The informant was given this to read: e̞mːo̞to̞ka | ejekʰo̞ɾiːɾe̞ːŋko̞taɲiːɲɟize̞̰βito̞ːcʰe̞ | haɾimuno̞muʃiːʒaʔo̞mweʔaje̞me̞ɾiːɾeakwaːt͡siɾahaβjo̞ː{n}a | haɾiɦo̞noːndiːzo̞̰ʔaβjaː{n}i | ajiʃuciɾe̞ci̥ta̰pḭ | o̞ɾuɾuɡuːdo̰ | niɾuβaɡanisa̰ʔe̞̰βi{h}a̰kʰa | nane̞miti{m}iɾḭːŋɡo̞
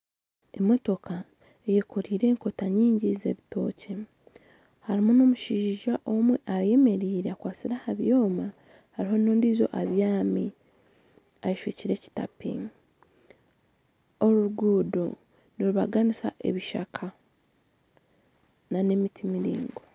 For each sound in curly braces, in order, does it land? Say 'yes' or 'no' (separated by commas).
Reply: no, no, no, yes